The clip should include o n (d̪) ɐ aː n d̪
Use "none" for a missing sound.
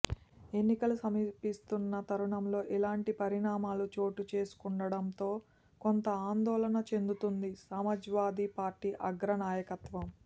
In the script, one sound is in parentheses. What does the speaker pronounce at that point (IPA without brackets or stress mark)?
t̪